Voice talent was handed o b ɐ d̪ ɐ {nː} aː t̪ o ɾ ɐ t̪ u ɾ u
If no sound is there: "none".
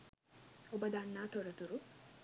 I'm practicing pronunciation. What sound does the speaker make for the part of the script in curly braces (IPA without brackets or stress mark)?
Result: nː